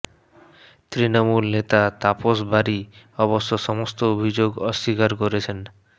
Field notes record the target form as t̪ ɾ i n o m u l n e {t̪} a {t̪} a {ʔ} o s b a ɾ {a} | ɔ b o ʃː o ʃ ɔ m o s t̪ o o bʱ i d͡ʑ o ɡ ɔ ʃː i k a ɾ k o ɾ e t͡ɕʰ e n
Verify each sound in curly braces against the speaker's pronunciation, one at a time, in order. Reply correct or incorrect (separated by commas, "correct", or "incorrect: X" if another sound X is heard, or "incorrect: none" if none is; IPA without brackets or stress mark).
correct, correct, incorrect: p, incorrect: i